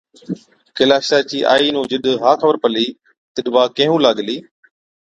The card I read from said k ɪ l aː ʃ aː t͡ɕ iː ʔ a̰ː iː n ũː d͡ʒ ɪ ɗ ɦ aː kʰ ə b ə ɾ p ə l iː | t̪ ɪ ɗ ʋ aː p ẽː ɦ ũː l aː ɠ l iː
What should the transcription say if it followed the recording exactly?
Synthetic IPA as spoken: k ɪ l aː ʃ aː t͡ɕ iː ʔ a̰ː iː n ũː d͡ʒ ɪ ɗ ɦ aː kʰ ə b ə ɾ p ə l iː | t̪ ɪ ɗ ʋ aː k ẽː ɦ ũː l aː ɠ l iː